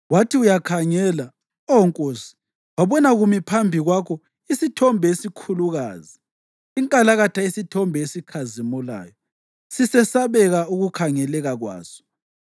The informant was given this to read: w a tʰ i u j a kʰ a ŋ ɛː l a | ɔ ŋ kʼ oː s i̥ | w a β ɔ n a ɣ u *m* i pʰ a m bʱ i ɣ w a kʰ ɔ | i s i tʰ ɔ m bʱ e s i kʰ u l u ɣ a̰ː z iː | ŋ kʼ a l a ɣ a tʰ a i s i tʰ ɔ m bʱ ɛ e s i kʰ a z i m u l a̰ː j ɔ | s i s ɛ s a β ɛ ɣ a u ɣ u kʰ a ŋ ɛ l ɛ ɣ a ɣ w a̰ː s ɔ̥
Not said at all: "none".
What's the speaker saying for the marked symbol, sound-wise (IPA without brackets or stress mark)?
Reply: m